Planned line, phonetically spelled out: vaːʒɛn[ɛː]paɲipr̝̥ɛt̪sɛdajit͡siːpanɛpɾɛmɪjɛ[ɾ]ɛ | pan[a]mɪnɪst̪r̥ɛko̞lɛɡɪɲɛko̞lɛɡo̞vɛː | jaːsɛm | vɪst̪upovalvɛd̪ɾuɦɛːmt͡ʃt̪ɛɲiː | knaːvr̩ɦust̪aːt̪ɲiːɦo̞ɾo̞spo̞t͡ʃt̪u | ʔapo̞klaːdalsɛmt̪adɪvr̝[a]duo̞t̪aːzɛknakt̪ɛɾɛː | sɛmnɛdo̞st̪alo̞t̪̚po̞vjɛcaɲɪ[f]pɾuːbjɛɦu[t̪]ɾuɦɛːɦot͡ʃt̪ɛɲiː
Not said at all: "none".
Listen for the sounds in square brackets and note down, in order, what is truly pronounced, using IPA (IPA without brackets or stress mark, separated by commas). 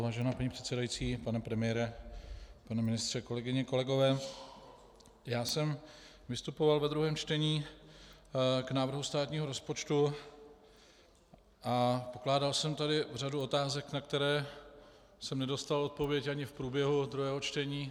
aː, ɾ, ɛ, a, f, d̪